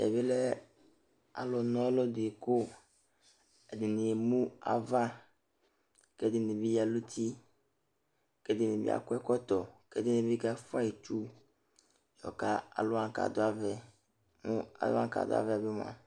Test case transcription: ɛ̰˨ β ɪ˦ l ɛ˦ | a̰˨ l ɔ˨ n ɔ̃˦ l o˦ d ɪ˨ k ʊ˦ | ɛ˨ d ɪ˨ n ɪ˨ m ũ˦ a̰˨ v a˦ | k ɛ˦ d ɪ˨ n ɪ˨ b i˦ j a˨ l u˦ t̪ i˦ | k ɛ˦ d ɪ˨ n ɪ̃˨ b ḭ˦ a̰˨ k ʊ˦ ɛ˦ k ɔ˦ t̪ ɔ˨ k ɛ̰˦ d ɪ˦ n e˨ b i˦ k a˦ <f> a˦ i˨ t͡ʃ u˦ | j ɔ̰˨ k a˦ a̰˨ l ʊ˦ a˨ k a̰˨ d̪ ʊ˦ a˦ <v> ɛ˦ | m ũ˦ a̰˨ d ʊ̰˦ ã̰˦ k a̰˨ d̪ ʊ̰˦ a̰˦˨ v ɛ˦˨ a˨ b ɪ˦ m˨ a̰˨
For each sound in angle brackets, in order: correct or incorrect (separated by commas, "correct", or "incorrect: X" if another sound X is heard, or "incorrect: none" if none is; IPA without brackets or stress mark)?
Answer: correct, correct